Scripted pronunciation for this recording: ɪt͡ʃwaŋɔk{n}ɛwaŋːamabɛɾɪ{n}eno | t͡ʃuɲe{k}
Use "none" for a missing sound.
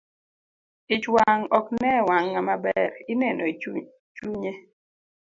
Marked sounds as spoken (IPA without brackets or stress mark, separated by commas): n, n, none